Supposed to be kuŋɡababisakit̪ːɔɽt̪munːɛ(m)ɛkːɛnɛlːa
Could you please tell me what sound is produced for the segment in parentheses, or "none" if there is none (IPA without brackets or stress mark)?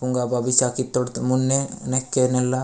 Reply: n